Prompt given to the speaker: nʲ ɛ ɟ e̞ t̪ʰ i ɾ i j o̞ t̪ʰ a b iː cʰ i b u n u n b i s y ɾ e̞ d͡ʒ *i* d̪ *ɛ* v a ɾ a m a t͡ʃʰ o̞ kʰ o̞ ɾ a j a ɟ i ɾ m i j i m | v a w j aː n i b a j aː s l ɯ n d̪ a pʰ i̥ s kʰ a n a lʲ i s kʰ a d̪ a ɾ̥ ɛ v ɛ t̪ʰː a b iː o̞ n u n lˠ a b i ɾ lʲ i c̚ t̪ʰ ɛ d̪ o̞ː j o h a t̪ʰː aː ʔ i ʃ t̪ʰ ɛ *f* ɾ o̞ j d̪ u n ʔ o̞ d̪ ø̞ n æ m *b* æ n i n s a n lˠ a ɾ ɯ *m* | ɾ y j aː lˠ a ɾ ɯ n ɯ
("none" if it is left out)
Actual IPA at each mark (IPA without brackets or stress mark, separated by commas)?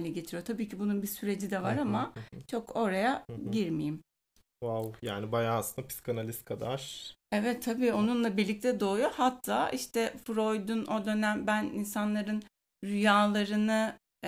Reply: i, ɛ, f, b, n